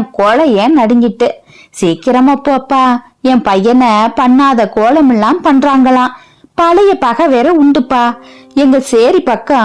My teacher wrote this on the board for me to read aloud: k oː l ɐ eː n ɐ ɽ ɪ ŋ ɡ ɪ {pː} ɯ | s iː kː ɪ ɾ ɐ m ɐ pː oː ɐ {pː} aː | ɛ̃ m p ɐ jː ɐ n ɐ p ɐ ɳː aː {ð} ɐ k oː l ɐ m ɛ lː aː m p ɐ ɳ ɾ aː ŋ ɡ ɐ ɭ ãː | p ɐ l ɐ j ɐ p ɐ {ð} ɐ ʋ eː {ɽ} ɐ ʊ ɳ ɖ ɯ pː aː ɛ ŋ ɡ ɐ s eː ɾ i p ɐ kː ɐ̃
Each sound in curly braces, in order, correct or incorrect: incorrect, correct, correct, incorrect, incorrect

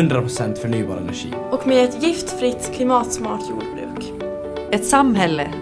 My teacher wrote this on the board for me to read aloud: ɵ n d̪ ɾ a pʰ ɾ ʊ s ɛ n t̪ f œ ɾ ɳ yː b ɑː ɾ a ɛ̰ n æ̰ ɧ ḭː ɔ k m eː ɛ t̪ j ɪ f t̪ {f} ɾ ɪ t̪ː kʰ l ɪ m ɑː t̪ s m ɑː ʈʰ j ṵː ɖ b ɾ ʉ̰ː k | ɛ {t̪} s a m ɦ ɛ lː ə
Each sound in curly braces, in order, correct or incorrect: correct, correct

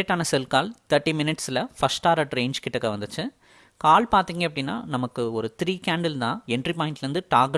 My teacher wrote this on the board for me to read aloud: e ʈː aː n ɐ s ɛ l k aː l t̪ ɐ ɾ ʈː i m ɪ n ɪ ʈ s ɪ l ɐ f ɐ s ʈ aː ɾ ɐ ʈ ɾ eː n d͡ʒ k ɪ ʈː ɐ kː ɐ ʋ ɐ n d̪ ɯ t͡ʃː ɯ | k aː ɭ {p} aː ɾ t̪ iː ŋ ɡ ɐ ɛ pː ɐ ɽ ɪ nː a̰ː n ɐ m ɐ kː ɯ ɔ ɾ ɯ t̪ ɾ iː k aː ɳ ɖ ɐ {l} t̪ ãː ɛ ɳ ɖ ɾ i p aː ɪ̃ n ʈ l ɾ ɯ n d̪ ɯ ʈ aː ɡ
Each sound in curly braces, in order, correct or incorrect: correct, correct

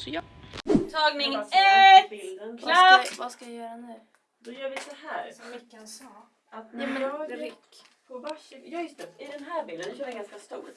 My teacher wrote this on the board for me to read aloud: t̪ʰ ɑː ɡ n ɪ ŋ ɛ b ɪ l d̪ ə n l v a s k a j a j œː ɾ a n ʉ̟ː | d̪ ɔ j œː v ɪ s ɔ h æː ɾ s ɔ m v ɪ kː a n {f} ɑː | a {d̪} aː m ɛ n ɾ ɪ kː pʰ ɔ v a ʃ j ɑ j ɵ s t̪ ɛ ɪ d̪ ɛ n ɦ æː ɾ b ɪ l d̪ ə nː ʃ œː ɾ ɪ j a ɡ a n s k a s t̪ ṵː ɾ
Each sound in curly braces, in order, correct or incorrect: incorrect, incorrect

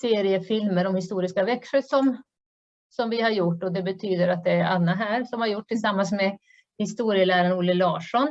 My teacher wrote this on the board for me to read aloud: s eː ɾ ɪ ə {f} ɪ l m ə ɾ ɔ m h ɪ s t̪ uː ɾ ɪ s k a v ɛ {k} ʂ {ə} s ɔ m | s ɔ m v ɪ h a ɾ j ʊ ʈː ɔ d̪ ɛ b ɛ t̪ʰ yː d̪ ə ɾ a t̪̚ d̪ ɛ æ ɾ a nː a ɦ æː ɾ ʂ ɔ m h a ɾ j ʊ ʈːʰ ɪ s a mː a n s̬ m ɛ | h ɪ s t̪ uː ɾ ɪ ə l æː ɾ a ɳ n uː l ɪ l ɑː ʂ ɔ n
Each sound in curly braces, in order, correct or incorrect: correct, correct, correct

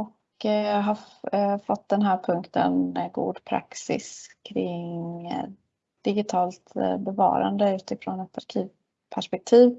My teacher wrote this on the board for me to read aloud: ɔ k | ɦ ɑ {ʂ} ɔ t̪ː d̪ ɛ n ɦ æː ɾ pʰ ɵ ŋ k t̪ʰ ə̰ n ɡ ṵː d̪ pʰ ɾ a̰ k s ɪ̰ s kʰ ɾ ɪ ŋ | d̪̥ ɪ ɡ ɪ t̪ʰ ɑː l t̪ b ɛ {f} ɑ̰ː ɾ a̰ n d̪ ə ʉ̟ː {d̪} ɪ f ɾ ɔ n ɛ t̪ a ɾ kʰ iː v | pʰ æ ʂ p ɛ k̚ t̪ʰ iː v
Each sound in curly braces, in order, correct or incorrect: incorrect, incorrect, incorrect

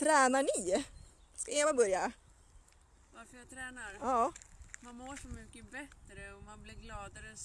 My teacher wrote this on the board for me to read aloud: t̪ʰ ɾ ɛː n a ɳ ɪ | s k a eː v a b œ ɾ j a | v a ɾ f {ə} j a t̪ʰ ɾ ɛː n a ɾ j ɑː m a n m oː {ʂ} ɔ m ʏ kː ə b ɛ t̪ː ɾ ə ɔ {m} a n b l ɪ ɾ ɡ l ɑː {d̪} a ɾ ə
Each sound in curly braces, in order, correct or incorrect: correct, correct, correct, correct

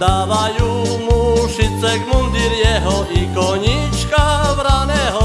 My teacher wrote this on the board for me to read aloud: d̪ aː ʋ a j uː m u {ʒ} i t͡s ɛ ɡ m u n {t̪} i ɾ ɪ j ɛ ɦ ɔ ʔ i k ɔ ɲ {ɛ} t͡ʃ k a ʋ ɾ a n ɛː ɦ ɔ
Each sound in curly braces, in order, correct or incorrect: incorrect, incorrect, incorrect

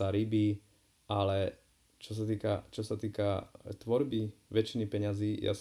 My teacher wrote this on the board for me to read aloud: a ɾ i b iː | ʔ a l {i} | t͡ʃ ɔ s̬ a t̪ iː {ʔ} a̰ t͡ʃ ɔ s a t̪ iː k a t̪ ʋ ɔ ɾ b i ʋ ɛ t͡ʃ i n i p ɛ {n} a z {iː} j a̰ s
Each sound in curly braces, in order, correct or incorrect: incorrect, incorrect, incorrect, correct

